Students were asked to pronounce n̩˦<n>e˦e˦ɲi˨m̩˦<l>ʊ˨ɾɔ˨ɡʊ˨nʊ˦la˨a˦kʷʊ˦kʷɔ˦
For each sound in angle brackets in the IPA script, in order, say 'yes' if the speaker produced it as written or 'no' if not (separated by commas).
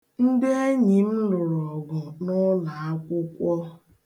no, yes